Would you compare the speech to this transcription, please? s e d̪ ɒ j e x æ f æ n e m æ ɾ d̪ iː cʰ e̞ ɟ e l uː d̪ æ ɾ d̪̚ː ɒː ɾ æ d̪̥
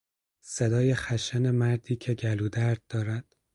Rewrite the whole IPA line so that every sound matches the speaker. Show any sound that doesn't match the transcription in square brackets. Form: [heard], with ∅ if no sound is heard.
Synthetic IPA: s e d̪ [ɒː] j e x æ [ʃ] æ n e m æ ɾ d̪ iː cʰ e̞ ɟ [æ] l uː d̪ æ ɾ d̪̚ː ɒː ɾ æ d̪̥